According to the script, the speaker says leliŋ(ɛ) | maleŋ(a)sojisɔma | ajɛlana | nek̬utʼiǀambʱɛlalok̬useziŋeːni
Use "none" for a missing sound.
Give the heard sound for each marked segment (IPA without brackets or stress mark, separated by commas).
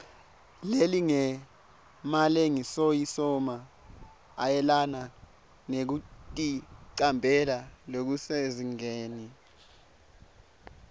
ɛ, i